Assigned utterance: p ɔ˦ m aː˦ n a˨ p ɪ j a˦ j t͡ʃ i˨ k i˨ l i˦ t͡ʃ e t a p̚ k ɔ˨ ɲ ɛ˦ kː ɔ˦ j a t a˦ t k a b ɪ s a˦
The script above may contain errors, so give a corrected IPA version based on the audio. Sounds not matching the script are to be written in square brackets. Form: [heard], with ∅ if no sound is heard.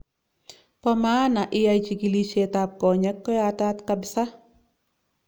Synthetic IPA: p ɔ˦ m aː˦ n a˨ [ʔ] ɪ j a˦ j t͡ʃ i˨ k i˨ l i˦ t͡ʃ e t a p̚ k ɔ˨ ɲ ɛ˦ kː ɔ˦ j a t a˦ t k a b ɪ s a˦